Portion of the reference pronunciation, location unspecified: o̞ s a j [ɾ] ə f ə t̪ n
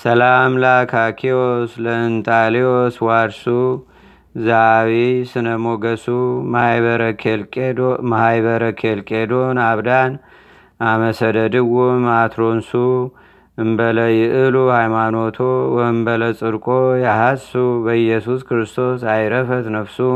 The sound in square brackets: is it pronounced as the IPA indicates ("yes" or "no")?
yes